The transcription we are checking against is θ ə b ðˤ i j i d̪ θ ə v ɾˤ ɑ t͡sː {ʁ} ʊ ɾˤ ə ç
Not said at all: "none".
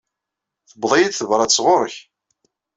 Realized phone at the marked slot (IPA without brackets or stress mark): ʁ